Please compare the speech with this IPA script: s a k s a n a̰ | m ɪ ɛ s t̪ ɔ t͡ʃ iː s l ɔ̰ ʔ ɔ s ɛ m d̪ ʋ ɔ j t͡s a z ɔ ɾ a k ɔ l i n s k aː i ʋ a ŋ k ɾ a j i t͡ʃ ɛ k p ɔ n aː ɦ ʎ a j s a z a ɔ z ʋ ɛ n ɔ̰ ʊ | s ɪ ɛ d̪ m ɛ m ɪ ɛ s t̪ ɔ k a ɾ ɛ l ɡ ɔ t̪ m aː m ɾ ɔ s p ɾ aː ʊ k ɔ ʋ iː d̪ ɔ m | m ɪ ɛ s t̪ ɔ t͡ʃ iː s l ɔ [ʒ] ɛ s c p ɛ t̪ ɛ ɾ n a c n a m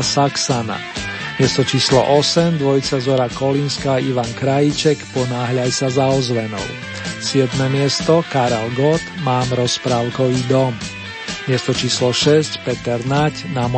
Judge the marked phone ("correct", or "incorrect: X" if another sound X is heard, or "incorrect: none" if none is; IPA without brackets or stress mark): incorrect: ʃ